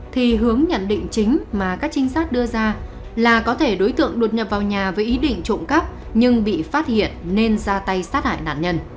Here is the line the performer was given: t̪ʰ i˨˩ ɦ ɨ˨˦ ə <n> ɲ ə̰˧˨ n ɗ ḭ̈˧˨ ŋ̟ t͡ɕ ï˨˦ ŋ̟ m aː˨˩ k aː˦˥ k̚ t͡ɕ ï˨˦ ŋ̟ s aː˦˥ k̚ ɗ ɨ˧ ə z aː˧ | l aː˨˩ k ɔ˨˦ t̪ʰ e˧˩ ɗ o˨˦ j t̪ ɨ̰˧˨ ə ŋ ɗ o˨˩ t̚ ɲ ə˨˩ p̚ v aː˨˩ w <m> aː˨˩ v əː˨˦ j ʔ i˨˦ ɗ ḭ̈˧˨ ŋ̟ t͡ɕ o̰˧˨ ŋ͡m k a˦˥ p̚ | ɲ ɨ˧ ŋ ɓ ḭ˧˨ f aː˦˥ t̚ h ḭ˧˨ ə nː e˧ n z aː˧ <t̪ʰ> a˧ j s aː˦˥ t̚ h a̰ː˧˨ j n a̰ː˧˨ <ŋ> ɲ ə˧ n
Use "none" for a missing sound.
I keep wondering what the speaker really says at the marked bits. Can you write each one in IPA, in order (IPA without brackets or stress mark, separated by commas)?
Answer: ŋ, ɲ, t̪, n